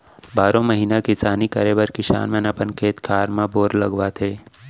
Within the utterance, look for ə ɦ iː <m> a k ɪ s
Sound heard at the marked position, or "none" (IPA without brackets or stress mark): n